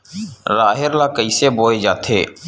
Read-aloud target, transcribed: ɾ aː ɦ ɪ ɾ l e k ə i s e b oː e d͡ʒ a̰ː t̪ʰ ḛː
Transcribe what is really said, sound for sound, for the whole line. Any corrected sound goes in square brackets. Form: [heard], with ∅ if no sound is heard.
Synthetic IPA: ɾ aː ɦ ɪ ɾ l [a] k ə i s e b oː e d͡ʒ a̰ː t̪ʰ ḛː